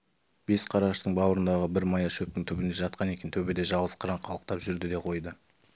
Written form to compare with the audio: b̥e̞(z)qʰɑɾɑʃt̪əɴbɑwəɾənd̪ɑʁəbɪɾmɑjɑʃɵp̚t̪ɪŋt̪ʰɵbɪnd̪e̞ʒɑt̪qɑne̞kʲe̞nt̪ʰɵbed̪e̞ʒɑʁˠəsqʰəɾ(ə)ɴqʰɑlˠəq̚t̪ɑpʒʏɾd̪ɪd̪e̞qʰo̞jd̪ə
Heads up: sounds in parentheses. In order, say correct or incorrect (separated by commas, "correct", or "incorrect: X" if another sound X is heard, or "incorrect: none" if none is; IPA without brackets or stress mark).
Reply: incorrect: s, incorrect: ɑ